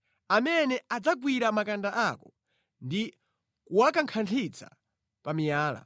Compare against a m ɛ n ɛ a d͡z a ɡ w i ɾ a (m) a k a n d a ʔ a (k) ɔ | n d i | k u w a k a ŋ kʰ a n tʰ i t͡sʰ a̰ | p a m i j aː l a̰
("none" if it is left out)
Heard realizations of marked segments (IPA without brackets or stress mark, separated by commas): m, k